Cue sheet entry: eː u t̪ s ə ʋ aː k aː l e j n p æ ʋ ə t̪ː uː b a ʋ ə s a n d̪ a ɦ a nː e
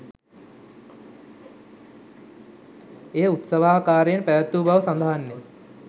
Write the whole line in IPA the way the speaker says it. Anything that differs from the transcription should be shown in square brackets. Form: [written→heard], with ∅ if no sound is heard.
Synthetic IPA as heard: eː u t̪ s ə ʋ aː k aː [l→ɾ] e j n p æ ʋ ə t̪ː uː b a ʋ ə s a n d̪ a ɦ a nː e